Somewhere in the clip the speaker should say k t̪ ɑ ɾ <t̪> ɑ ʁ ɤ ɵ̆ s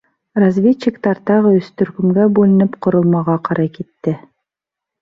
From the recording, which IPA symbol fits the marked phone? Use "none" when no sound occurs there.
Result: t̪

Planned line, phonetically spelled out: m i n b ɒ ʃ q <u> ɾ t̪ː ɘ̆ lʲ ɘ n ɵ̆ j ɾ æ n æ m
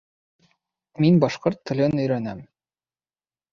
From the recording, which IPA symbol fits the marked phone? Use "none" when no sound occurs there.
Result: o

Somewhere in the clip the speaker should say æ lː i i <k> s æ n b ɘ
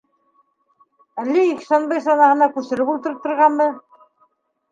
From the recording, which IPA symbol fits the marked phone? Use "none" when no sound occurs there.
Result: k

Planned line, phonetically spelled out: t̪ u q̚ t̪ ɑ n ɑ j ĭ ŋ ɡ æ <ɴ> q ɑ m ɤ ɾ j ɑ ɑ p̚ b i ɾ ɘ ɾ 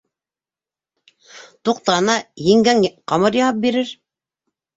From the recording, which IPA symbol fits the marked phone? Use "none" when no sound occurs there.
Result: ŋ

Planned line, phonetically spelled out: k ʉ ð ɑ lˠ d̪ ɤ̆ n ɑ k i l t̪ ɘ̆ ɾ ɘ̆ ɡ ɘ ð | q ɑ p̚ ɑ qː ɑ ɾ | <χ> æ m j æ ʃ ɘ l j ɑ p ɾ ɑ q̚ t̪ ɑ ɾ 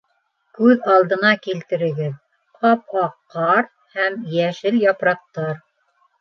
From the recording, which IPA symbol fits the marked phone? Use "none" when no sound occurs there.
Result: h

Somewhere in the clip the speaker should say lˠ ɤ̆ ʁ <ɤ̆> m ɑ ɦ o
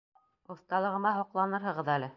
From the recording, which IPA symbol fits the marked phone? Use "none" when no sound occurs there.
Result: ɤ̆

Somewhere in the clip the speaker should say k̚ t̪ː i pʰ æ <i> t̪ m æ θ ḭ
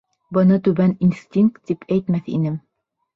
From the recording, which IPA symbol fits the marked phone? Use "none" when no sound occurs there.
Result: j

